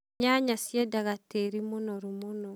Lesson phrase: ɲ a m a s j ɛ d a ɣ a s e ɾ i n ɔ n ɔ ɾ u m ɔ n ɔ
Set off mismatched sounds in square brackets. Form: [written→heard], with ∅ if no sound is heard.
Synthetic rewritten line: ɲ a [m→ɲ] a s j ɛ d a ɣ a [s→t] e ɾ i [n→m] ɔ n ɔ ɾ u m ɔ n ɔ

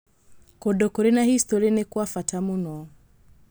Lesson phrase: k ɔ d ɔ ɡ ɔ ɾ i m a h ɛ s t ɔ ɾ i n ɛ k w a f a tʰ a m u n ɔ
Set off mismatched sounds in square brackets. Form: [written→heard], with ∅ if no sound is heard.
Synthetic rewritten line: k ɔ d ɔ [ɡ→k] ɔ ɾ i [m→n] a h [ɛ→i] s t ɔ ɾ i n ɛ k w a f a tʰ a m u n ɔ

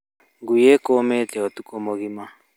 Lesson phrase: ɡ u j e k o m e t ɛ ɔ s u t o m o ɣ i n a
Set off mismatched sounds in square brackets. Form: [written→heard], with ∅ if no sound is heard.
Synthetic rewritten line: ɡ u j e k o m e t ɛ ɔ [s→t] u [t→k] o m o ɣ i [n→m] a

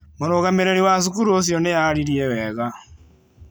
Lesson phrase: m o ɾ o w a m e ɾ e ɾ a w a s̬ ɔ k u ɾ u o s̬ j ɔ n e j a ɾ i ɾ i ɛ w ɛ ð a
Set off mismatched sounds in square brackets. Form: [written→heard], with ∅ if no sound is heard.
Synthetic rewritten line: m o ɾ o [w→ɣ] a m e ɾ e ɾ [a→i] w a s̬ [ɔ→u] k u ɾ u o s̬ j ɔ n e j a ɾ i ɾ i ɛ w ɛ [ð→ɣ] a

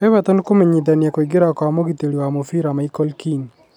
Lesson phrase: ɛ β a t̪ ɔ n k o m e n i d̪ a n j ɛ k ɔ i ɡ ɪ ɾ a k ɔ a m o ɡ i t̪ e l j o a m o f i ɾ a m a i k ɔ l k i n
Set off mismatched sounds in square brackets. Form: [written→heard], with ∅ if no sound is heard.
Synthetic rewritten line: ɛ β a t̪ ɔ n k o m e [n→ɲ] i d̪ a n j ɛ k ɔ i ɡ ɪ ɾ a k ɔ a m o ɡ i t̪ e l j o a m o f i ɾ a m a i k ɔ l k i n

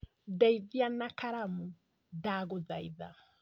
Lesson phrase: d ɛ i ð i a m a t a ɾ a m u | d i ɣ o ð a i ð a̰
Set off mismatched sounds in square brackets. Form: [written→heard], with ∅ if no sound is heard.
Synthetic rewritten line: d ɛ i ð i a [m→n] a [t→k] a ɾ a m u | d [i→a] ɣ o ð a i ð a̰

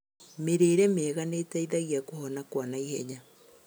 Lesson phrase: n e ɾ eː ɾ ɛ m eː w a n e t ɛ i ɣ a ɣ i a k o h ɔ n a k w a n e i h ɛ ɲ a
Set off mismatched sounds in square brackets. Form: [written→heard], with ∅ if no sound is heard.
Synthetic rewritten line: [n→m] e ɾ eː ɾ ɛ m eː [w→ɣ] a n e t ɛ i [ɣ→ð] a ɣ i a k o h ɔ n a k w a n [e→a] i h ɛ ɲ a

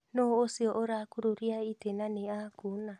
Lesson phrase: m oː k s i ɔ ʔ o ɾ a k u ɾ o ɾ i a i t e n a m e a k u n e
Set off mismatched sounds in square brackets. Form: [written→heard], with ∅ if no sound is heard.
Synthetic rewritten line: [m→n] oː [k→∅] s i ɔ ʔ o ɾ a k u ɾ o ɾ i a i t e n a [m→n] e a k u n [e→a]

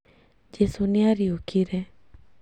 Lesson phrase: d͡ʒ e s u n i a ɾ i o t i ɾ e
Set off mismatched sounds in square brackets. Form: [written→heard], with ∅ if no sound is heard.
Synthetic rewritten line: d͡ʒ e s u n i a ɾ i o [t→k] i ɾ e

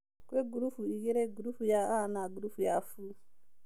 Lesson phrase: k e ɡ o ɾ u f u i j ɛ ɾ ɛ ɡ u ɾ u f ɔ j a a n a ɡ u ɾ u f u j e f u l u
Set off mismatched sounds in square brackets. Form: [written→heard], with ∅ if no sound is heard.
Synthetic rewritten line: k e ɡ [o→u] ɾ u f u i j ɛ ɾ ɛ ɡ u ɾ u f [ɔ→u] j a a n a ɡ u ɾ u f u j [e→a] f u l u

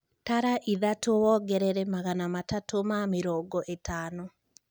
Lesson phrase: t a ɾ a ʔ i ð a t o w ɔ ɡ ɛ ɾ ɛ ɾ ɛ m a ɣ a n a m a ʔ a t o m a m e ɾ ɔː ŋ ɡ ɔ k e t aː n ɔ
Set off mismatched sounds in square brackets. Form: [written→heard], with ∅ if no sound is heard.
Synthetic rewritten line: t a ɾ a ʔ i ð a t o w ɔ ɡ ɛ ɾ ɛ ɾ ɛ m a ɣ a n a m a [ʔ→t] a t o m a m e ɾ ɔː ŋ ɡ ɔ [k→ʔ] e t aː n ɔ

